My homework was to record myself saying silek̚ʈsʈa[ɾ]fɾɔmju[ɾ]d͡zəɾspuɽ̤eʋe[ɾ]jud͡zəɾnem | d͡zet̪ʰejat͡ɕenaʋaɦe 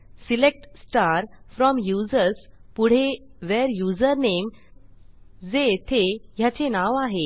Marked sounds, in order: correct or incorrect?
correct, incorrect, correct

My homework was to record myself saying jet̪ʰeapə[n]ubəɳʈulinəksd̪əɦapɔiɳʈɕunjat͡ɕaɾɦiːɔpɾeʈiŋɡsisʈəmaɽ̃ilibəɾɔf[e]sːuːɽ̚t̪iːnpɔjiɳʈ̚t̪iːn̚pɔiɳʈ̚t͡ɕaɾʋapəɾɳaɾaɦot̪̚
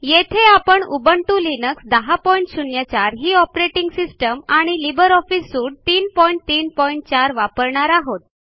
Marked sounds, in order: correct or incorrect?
incorrect, incorrect

